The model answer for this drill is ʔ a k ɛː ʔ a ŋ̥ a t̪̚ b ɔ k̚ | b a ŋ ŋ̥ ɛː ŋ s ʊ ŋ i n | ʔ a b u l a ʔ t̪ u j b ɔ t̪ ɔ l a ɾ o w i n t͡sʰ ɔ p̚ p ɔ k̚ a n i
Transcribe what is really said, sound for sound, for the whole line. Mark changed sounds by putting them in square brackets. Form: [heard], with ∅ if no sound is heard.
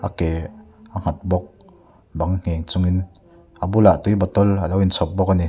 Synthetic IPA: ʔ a k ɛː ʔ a ŋ̥ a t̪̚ b ɔ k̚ | b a ŋ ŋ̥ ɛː ŋ [t͡s] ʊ ŋ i n | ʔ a b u l a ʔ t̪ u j b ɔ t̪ ɔ l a [l] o w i n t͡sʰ ɔ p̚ [b] ɔ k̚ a n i